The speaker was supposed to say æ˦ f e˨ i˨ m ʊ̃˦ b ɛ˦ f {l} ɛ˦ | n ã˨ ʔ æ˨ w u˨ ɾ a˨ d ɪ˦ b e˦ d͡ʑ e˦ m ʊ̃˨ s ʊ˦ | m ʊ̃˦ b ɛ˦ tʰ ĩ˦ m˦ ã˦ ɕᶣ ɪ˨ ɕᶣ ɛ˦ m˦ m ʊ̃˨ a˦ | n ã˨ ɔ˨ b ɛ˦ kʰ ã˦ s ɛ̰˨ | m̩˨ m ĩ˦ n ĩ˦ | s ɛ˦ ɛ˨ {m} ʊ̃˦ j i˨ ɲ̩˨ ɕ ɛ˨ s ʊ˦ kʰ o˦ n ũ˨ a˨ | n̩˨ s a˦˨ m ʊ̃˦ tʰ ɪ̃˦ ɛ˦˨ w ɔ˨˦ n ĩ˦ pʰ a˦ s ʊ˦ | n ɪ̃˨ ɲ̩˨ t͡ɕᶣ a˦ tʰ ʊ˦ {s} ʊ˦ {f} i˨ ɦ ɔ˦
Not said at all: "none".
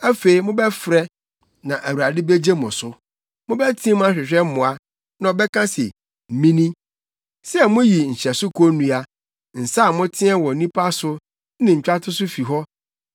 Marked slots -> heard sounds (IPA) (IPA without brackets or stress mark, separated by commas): ɾ, m, s, f